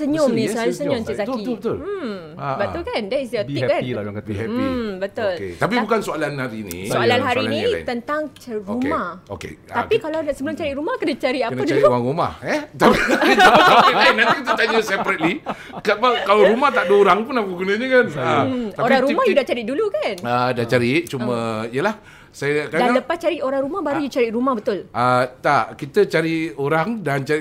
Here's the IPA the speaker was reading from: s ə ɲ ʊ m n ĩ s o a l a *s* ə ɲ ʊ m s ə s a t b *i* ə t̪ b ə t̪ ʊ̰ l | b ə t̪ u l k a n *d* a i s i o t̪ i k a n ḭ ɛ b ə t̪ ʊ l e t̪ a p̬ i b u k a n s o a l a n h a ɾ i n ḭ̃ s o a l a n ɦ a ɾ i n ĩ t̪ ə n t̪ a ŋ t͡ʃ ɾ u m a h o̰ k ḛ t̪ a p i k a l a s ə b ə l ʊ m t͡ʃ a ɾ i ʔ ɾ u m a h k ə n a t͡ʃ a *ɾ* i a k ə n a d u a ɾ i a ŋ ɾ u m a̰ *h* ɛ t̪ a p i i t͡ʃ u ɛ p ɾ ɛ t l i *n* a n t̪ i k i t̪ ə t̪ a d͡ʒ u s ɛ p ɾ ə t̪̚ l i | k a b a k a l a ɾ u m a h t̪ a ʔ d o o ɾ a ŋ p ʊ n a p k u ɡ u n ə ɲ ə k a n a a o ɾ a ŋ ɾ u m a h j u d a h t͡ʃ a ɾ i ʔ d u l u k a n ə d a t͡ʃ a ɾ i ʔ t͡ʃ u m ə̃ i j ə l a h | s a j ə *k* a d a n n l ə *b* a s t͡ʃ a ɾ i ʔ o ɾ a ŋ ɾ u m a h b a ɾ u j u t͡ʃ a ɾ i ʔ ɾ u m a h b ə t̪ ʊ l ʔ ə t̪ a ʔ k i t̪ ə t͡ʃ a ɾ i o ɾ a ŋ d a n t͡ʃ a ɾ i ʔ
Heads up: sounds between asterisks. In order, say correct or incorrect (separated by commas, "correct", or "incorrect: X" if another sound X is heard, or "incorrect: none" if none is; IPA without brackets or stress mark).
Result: correct, correct, correct, correct, correct, correct, correct, incorrect: p